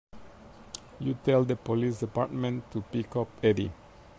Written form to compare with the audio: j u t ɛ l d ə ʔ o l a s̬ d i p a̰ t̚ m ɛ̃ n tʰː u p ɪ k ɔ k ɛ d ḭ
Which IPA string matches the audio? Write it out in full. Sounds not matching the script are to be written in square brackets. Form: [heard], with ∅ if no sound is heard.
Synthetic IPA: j u t ɛ l d ə [p] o l [i] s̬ d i p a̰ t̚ m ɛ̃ n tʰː u p [i] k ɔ [p] ɛ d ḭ

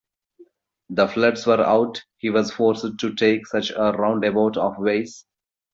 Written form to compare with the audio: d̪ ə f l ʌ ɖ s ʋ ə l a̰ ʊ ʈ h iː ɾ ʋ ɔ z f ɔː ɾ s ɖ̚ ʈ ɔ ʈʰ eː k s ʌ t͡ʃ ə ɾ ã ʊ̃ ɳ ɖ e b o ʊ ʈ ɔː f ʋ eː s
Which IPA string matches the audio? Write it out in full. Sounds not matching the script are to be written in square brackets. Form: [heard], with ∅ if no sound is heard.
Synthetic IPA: d̪ ə f l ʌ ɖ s ʋ ə [ɾ] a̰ ʊ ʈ h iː [∅] ʋ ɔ z f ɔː ɾ s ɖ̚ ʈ [u] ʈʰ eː k s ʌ t͡ʃ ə ɾ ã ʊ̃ ɳ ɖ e b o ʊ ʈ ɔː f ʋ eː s

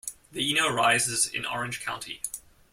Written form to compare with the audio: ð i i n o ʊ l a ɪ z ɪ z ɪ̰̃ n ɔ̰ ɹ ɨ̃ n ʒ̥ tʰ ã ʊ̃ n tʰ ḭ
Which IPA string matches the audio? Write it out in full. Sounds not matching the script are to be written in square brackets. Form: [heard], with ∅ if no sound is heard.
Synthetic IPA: ð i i n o ʊ [ɹ] a ɪ z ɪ z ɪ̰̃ n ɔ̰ ɹ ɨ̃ n ʒ̥ [kʰ] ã ʊ̃ n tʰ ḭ

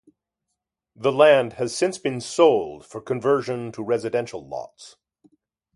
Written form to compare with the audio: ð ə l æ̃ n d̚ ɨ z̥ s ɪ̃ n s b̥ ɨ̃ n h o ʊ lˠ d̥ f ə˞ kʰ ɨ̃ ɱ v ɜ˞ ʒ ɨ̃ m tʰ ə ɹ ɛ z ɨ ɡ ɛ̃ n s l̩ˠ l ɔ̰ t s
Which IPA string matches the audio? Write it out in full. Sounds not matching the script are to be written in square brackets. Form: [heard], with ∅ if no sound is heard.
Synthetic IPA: ð ə l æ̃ n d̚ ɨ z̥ s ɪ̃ n s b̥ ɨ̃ n [s] o ʊ lˠ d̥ f ə˞ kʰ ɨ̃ ɱ v ɜ˞ ʒ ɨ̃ [n] tʰ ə ɹ ɛ z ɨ [d] ɛ̃ n [ʃ] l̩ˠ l ɔ̰ t s

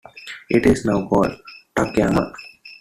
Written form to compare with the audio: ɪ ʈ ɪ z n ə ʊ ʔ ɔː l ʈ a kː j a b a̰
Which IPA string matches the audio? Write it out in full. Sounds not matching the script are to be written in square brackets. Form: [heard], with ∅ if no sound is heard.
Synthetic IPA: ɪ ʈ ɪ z n [a] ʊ [k] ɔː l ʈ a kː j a [m] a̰

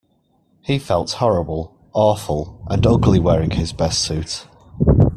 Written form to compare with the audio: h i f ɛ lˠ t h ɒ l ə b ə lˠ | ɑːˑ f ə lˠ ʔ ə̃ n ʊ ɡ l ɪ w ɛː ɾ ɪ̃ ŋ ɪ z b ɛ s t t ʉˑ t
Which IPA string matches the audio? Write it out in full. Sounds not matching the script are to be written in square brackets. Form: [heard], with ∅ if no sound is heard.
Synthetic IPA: h i f ɛ lˠ t h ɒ [ɹ] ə b ə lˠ | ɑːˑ f ə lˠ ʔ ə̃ n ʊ ɡ l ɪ w ɛː [ɹ] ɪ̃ ŋ ɪ z b ɛ s t [s] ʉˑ t

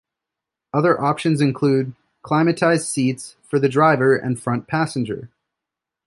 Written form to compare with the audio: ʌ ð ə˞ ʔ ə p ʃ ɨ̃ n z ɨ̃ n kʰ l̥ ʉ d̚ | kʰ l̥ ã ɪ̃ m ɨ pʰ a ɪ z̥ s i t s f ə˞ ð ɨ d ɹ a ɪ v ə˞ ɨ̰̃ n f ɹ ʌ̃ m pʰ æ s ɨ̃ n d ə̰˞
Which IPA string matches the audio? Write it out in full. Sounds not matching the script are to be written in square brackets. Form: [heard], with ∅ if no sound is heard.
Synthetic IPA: ʌ ð ə˞ ʔ [ɑ] p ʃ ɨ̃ n z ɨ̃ n kʰ l̥ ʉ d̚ | kʰ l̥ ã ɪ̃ m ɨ [tʰ] a ɪ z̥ s i t s f ə˞ ð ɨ d ɹ a ɪ v ə˞ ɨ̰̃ n f ɹ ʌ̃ [n] pʰ æ s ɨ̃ n [d͡ʒ] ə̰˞

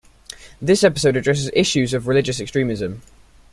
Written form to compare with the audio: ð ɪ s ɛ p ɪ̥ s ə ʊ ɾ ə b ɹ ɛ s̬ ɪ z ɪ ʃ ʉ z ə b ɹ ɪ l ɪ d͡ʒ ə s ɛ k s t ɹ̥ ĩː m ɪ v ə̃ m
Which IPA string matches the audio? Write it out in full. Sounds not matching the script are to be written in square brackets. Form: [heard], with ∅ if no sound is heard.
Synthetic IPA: ð ɪ s ɛ p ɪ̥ s ə ʊ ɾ ə [d] ɹ ɛ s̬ ɪ z ɪ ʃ ʉ z ə [v] ɹ ɪ l ɪ d͡ʒ ə s ɛ k s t ɹ̥ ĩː m ɪ [z] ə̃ m

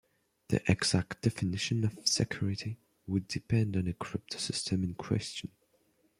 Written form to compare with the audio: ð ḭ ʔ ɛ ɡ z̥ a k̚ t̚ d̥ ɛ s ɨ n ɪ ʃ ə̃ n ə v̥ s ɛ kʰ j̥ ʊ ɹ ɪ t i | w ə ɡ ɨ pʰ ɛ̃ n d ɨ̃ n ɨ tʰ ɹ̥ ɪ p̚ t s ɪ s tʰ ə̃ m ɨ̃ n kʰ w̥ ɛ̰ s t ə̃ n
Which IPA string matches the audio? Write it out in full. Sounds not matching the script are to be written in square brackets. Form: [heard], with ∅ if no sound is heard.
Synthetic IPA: ð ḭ ʔ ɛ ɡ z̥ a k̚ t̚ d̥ ɛ [f] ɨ n ɪ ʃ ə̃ n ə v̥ s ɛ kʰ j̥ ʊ ɹ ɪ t i | w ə [d] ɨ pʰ ɛ̃ n d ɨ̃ n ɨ [kʰ] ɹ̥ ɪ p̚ t s ɪ s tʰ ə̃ m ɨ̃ n kʰ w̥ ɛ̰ s [t͡ʃ] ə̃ n

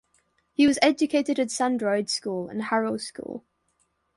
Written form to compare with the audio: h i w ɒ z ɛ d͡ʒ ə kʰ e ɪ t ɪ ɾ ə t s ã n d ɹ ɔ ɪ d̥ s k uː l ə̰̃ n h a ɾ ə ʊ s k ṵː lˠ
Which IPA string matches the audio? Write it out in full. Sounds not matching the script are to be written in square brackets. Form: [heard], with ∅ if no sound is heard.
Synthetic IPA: h i w ɒ z ɛ d͡ʒ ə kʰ e ɪ t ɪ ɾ ə t s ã n d ɹ ɔ ɪ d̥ s k uː l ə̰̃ n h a [ɹ] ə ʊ s k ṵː lˠ

